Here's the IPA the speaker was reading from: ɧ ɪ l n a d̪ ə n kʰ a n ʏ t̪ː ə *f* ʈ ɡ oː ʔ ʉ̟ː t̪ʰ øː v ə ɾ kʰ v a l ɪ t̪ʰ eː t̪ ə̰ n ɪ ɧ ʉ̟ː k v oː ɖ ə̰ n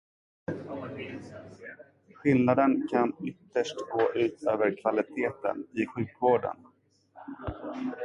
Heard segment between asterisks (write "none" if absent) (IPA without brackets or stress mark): ʂ